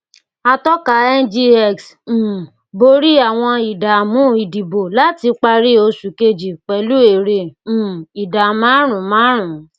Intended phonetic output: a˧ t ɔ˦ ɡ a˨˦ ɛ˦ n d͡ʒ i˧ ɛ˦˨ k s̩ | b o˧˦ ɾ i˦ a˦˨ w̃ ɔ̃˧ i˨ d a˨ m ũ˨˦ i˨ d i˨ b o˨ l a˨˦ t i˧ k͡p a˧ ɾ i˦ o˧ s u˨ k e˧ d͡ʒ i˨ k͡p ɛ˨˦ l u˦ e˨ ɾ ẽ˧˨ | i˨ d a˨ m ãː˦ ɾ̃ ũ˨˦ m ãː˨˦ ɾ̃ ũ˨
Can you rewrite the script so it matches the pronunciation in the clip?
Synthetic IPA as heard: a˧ t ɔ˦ k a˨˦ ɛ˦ n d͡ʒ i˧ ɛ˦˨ k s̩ | b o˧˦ ɾ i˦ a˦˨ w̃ ɔ̃˧ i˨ d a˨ m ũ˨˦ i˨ d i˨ b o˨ l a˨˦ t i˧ k͡p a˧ ɾ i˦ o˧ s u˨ k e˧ d͡ʒ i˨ k͡p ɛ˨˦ l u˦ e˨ ɾ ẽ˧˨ | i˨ d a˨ m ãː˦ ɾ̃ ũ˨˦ m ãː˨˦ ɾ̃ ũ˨